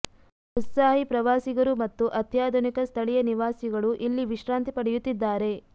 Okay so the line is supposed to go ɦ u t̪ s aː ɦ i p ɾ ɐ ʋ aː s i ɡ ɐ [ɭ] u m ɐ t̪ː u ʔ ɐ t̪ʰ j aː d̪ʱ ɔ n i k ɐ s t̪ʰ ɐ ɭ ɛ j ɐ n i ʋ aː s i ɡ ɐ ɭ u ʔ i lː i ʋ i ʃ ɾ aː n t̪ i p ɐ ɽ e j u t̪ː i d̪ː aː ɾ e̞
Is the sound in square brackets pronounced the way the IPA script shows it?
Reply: no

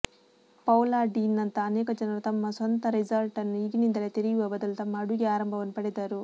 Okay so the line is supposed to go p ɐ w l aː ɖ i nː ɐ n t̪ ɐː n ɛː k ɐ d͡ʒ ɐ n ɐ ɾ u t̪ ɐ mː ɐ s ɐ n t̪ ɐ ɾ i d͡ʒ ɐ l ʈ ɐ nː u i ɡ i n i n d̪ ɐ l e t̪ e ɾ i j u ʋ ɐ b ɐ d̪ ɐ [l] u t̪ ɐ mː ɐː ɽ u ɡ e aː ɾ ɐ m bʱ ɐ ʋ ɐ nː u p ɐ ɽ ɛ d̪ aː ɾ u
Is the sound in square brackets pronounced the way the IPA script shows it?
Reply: yes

